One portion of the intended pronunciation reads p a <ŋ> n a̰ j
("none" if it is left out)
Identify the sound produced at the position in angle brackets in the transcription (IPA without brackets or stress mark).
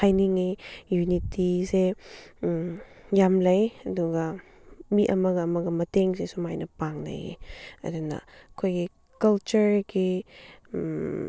ŋ